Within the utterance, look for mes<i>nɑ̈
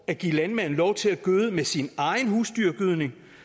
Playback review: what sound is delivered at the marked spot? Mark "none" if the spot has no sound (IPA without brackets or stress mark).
i